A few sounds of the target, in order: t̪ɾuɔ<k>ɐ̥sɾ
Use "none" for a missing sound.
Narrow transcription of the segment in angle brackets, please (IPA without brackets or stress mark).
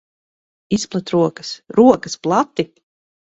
k